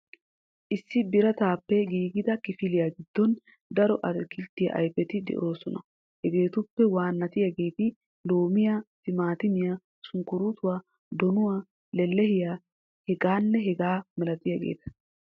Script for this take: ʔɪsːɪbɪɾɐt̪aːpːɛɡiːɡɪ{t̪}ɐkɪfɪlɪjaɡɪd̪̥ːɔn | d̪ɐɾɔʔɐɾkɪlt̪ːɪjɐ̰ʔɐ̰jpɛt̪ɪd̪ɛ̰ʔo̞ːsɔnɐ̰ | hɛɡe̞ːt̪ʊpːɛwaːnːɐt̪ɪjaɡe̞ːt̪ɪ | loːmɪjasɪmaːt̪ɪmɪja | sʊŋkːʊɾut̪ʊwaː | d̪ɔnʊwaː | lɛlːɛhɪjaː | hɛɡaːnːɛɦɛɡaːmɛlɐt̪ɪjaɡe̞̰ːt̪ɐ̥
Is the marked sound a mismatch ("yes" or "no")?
yes